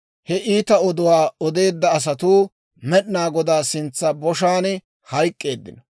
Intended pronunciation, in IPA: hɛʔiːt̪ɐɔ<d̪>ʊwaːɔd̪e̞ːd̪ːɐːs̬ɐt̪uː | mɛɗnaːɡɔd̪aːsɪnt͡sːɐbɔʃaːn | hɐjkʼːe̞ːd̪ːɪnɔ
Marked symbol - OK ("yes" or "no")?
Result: yes